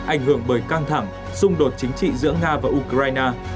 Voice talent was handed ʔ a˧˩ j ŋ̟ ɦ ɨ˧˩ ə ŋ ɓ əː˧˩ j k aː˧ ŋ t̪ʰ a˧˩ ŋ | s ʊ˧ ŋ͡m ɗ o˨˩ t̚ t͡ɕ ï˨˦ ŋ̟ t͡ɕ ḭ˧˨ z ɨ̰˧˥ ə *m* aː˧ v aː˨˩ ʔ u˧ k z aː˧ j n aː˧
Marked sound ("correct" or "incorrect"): incorrect